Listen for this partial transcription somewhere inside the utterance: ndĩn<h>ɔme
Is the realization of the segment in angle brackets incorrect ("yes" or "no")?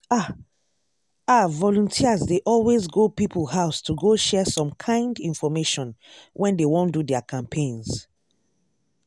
yes